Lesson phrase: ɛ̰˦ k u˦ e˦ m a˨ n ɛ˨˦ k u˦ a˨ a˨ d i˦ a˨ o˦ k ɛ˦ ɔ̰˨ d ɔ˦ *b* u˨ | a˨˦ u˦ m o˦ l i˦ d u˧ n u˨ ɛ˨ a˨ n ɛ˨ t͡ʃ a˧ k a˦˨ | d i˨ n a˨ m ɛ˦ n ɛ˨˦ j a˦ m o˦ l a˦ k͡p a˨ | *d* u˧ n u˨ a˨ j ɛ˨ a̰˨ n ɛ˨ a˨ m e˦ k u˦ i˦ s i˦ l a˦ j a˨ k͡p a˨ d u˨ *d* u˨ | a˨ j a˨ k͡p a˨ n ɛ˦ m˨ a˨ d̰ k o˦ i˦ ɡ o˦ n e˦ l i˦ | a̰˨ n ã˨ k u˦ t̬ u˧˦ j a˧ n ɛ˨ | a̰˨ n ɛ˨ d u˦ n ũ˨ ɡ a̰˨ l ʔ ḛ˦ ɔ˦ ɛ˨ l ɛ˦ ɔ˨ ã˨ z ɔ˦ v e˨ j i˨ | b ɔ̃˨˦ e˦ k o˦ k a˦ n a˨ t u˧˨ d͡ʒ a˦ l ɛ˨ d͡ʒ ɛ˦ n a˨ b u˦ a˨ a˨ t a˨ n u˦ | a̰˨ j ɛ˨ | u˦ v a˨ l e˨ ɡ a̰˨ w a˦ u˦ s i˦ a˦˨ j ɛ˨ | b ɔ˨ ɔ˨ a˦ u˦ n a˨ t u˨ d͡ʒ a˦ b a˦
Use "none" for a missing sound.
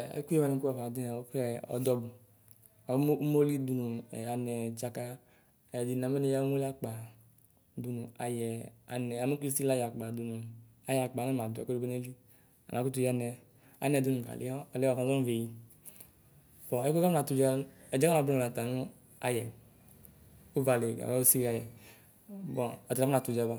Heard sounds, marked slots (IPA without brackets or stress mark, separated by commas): b, d, n